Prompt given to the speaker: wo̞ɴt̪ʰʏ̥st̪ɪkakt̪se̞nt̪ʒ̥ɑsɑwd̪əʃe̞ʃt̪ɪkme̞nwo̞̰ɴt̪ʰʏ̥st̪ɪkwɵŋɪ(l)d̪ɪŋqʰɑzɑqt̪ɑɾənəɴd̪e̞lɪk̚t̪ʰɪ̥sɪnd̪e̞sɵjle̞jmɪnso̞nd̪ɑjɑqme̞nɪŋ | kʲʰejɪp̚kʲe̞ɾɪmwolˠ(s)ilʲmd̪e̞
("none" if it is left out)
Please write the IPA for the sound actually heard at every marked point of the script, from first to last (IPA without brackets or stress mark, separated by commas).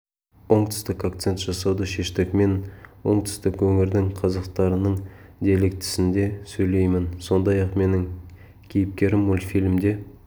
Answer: ɾ, f